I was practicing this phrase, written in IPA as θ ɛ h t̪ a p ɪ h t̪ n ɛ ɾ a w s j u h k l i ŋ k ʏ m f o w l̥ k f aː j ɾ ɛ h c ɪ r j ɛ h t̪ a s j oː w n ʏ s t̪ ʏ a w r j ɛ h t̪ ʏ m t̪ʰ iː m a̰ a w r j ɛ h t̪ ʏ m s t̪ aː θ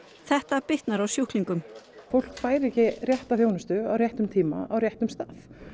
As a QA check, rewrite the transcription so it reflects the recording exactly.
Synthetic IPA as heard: θ ɛ h t̪ a p ɪ h t̪ n a ɾ a w s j u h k l i ŋ k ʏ m f o w l̥ k f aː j ɾ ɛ h c ɪ r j ɛ h t̪ a f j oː w n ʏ s t̪ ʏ a w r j ɛ h t̪ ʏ m t̪ʰ iː m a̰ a w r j ɛ h t̪ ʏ m s t̪ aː θ